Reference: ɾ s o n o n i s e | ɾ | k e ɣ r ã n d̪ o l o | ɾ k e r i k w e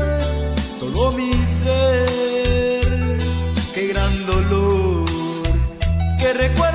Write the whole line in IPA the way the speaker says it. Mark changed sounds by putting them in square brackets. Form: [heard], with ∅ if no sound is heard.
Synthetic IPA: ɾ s o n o [m] i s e | ɾ | k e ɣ [ɾ] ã n d̪ o l o | ɾ k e r [e] k w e